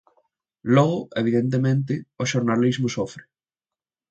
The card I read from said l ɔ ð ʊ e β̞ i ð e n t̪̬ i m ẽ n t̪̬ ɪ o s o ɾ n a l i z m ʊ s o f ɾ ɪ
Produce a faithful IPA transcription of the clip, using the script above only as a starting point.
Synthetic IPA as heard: l ɔ ɣ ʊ e β̞ i ð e n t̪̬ e m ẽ n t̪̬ ɪ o ʃ o ɾ n a l i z m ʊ s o f ɾ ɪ